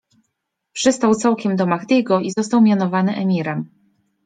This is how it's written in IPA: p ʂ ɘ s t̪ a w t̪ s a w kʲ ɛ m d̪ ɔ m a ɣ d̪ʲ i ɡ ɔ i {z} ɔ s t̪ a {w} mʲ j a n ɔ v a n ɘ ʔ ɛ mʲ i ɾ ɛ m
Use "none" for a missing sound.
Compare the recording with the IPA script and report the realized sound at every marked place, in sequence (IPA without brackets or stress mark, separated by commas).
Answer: z, w